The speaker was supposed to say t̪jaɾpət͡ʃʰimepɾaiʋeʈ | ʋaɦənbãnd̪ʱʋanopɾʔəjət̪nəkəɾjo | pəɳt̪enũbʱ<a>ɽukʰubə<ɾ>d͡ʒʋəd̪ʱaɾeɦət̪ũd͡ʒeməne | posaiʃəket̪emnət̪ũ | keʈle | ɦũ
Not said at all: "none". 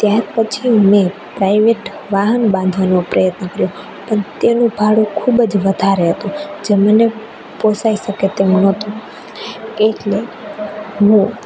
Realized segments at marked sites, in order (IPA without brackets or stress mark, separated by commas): a, none